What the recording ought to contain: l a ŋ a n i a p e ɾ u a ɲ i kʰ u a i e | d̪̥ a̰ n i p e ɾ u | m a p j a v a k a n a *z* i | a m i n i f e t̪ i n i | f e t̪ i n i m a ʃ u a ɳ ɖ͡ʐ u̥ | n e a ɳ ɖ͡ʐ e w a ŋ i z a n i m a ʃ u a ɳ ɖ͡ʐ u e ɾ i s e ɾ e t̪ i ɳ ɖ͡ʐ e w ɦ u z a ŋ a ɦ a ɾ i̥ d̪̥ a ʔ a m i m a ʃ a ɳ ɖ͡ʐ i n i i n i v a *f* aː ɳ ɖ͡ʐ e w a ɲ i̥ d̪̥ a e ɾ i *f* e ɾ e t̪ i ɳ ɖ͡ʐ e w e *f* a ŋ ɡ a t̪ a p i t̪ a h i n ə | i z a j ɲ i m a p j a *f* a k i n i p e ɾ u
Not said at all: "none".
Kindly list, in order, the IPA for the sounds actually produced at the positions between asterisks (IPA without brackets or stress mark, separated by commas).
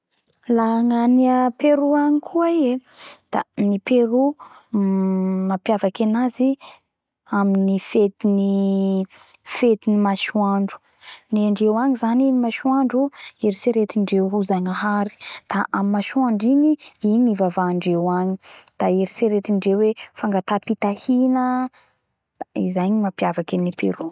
z, v, s, f, v